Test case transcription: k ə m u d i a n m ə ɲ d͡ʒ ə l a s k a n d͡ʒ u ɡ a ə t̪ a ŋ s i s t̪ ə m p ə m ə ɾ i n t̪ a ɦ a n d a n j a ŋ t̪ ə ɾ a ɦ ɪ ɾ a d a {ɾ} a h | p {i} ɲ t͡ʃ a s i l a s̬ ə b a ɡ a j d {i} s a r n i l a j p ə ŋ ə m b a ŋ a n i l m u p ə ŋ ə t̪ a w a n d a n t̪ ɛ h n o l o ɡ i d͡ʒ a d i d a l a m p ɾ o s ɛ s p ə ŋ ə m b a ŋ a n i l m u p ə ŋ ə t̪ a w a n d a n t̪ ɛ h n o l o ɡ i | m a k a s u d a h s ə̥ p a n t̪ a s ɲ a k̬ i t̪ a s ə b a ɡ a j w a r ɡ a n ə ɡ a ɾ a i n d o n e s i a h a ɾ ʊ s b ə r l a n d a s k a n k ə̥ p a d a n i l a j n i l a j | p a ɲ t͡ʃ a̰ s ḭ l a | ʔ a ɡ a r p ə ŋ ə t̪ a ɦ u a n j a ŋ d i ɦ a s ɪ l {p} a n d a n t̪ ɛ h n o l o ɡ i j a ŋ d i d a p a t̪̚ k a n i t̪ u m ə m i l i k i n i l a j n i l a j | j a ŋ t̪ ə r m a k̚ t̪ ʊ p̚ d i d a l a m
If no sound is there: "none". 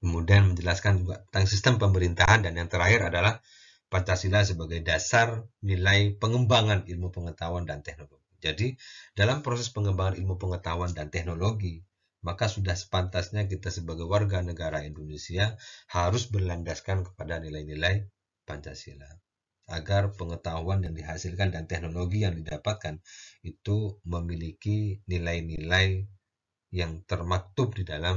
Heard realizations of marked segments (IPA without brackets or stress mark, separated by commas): l, a, a, k